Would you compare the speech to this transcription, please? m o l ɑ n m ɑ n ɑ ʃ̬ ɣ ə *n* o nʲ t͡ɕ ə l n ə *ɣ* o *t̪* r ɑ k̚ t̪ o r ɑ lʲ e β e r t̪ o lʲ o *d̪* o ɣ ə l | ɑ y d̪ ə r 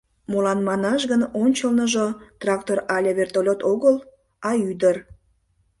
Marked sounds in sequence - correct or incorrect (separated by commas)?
correct, incorrect, correct, incorrect